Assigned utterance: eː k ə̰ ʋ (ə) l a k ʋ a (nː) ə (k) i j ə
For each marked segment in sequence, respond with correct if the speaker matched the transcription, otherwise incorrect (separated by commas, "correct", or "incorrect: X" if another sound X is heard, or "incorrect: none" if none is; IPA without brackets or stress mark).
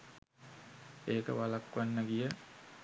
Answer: incorrect: a, correct, incorrect: ɡ